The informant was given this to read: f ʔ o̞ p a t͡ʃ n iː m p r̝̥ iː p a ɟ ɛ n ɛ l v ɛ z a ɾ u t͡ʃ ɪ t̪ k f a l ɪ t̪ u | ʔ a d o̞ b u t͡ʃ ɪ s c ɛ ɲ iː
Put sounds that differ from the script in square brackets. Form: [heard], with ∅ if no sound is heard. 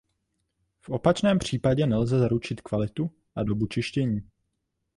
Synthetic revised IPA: f ʔ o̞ p a t͡ʃ n [ɛː] m p r̝̥ iː p a ɟ ɛ n ɛ l [z] ɛ z a ɾ u t͡ʃ ɪ t̪ k [v] a l ɪ t̪ u | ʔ a d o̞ b u t͡ʃ ɪ [ʃ] c ɛ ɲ iː